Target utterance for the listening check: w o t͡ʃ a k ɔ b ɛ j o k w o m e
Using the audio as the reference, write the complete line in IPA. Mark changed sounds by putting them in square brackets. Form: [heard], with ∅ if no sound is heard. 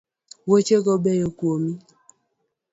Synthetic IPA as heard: w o t͡ʃ [e] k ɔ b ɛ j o k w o m [i]